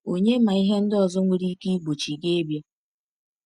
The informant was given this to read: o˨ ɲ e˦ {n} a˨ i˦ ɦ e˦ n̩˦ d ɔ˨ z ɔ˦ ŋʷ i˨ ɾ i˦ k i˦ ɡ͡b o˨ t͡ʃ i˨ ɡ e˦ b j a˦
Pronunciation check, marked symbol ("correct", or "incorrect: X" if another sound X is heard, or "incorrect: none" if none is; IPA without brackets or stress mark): incorrect: m